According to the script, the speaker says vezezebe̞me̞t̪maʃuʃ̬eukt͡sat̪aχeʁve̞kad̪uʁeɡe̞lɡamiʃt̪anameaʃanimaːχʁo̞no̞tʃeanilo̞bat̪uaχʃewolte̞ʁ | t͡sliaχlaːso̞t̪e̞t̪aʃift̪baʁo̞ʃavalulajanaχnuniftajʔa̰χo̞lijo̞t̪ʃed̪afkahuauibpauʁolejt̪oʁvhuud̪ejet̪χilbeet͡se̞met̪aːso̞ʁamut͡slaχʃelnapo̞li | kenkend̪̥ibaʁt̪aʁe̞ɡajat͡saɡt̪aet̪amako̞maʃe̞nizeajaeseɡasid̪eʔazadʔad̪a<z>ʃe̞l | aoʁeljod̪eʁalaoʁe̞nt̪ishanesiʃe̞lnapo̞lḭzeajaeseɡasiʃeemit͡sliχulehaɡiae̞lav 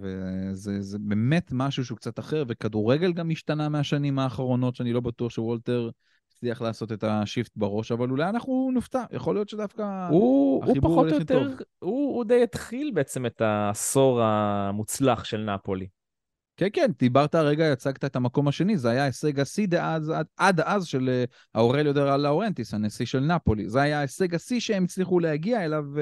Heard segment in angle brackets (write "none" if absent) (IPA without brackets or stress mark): z